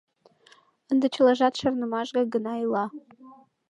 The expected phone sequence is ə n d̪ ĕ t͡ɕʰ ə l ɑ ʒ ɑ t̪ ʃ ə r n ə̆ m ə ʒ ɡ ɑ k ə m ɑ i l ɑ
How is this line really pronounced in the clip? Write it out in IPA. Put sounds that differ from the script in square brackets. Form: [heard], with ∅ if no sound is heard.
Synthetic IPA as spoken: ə n d̪ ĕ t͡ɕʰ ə l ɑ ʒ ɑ t̪ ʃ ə r n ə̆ m [ɑ] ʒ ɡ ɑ [ɡ] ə [n] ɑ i l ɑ